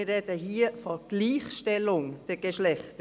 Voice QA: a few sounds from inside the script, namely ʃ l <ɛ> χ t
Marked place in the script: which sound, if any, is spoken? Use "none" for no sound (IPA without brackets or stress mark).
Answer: ɛ